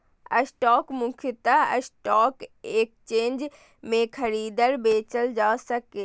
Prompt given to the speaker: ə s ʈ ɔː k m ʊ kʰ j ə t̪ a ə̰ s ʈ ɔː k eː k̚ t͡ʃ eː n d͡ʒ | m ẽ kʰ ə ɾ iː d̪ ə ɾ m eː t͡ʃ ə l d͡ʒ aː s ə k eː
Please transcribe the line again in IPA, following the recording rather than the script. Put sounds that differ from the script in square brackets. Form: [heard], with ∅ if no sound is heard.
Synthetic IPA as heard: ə s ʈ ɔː k m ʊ kʰ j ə t̪ a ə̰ s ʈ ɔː k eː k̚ t͡ʃ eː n d͡ʒ | m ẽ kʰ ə ɾ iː d̪ ə ɾ [b] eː t͡ʃ ə l d͡ʒ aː s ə k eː